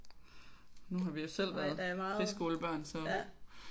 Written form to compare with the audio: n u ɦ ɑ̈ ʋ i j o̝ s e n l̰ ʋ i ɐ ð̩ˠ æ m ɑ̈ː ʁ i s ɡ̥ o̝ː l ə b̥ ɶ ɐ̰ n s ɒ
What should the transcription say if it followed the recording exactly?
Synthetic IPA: n u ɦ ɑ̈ ʋ i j o̝ s e l̰ ʋ æ ɐ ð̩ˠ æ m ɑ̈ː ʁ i s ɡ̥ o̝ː l ə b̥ ɶ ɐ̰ n s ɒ